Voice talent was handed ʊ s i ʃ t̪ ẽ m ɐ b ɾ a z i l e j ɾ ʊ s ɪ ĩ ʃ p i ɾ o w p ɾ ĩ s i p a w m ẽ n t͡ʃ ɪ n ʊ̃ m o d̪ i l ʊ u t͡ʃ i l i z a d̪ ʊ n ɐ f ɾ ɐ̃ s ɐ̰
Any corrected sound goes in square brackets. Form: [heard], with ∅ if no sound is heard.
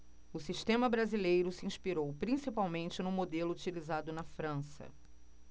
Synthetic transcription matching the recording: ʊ s i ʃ t̪ ẽ m ɐ b ɾ a z i l e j ɾ ʊ s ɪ ĩ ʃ p i ɾ o w p ɾ ĩ s i p a w m ẽ n t͡ʃ ɪ n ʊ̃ m o d̪ [e] l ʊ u t͡ʃ i l i z a d̪ ʊ n ɐ f ɾ ɐ̃ s ɐ̰